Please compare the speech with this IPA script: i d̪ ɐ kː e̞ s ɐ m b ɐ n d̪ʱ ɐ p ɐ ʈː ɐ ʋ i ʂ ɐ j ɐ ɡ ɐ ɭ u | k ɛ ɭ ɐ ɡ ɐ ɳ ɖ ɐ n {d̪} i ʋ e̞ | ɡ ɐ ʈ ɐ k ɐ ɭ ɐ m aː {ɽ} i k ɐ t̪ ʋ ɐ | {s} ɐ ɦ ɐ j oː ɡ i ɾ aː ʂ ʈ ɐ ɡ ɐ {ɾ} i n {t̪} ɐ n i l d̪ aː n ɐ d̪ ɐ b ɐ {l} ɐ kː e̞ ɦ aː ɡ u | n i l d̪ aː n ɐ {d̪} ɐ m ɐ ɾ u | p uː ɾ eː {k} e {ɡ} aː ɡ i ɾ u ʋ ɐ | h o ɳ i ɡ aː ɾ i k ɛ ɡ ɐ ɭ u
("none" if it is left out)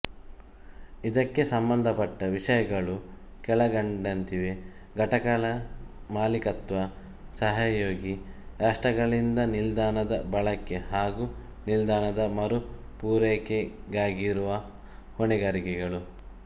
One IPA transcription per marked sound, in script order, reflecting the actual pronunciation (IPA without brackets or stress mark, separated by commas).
t̪, l, s, ɭ, d̪, ɭ, d̪, k, ɡ